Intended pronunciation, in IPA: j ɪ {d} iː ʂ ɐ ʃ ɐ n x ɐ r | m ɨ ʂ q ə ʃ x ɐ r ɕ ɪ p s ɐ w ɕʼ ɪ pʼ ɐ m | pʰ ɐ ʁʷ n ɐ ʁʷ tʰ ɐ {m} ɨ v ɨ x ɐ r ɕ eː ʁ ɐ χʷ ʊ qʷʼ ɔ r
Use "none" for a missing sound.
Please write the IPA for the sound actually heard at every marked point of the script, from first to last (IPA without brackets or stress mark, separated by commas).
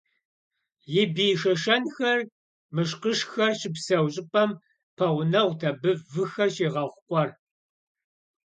b, b